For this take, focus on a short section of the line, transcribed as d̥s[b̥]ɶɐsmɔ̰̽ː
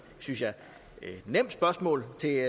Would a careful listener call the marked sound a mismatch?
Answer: no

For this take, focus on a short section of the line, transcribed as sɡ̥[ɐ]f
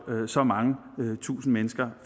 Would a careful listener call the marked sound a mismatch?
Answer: no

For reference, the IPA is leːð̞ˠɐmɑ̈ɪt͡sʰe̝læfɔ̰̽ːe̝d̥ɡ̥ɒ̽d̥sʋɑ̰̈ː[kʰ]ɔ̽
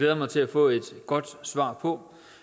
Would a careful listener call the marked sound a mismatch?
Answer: yes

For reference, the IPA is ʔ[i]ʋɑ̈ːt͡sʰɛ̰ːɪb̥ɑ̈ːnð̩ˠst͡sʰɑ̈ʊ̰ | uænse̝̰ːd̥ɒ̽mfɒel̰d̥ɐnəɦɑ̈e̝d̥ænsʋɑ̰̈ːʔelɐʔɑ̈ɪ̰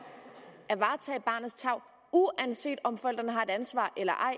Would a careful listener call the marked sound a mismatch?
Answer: yes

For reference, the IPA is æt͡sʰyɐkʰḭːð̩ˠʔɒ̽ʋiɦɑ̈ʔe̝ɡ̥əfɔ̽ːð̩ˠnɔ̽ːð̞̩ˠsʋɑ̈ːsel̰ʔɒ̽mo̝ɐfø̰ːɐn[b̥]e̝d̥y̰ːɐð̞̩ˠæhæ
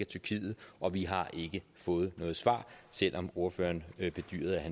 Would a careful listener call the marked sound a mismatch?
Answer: no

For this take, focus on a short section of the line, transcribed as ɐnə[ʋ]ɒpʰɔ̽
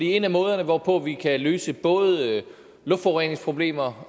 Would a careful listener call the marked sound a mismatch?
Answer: no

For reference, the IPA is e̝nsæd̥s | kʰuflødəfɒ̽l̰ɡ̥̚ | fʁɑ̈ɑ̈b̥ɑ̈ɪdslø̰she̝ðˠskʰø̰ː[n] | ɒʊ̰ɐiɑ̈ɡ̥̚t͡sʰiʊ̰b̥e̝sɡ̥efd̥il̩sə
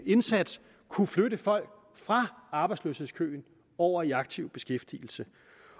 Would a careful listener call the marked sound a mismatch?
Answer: no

